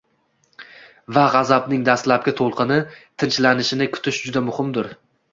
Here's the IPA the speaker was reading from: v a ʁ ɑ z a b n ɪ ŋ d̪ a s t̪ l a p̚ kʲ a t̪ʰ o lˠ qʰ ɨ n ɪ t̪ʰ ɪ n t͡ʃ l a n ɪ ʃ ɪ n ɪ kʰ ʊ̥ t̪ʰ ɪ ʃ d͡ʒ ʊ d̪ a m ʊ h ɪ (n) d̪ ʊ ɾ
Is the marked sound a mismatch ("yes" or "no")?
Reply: yes